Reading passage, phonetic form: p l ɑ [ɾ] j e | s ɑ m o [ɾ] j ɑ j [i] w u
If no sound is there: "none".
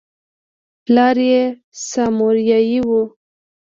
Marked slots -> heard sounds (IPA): ɾ, ɾ, i

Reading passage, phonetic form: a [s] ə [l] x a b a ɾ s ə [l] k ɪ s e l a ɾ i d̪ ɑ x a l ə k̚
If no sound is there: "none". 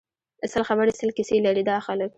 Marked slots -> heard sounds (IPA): s, l, l

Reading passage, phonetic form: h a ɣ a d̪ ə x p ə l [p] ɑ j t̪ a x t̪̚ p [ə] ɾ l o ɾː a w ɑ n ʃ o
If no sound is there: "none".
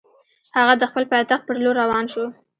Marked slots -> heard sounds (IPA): p, ə

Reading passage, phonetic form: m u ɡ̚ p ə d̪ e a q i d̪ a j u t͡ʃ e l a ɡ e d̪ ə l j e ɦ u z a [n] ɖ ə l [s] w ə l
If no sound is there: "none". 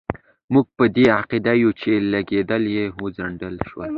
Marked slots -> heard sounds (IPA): ɳ, ʃ

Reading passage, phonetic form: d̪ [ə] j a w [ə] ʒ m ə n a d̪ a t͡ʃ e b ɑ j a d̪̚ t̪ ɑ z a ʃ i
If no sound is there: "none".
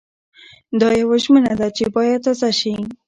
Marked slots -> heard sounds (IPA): ɑ, a

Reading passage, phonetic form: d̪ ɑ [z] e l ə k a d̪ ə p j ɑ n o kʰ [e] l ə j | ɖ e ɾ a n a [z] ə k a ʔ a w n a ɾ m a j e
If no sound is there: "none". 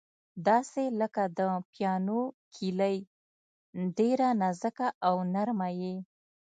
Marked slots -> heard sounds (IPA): s, i, z

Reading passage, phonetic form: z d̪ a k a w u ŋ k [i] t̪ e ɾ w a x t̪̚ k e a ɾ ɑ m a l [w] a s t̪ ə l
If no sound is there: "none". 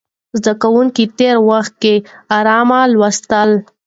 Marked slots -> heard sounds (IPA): i, w

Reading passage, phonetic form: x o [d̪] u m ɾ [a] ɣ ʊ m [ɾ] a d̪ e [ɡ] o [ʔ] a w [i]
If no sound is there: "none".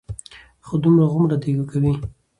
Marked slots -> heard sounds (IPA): d̪, a, ɾ, ɡ, k, i

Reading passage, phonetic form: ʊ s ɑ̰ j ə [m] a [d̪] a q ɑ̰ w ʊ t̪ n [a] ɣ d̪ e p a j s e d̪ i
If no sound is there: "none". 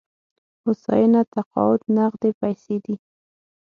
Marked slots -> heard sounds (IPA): n, t̪, a

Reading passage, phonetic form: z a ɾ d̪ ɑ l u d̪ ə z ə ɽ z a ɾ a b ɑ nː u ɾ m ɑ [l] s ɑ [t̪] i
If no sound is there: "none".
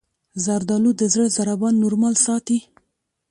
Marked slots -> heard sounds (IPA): l, t̪

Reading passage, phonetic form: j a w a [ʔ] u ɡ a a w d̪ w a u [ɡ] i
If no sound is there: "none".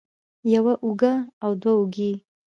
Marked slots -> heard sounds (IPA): ʔ, ɡ

